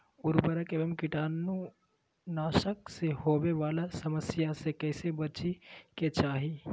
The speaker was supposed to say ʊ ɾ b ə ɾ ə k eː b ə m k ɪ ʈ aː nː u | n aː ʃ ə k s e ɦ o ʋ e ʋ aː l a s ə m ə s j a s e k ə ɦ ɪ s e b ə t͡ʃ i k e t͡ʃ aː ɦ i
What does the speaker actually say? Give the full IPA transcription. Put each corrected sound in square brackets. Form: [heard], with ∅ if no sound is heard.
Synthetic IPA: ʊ ɾ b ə ɾ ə k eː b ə m k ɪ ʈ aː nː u | n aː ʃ ə k s e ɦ o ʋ e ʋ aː l a s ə m ə s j a s e k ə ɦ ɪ s e b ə t͡ʃ i k e t͡ʃ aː ɦ i